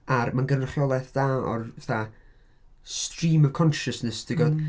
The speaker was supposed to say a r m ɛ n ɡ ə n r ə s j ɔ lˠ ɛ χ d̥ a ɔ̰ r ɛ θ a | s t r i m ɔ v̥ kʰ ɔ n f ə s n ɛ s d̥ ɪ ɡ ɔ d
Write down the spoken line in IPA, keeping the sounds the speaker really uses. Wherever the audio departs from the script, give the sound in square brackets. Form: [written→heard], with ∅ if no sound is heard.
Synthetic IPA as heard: a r m [ɛ→a] n ɡ ə n r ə [s→χ] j ɔ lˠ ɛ [χ→θ] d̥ a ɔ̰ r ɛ θ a | s t r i m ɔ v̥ kʰ ɔ n [f→ʃ] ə s n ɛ s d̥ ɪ ɡ ɔ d